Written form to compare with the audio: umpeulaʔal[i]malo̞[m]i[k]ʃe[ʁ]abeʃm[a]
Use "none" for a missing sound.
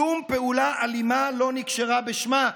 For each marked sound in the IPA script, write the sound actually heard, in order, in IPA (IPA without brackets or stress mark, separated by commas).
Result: i, n, k, ʁ, a